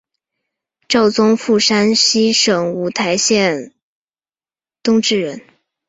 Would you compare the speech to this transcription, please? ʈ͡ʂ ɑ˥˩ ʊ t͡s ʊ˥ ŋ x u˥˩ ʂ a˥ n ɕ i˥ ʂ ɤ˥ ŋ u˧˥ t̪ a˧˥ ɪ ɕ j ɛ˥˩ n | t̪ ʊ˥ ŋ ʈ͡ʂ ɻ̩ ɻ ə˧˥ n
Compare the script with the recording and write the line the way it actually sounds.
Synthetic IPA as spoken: ʈ͡ʂ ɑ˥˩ ʊ t͡s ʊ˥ ŋ f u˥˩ ʂ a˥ n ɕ i˥ ʂ ɤ˨˩ ŋ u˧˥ t̪ʰ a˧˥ ɪ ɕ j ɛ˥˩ n | t̪ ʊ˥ ŋ ʈ͡ʂ ɻ̩ ɻ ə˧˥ n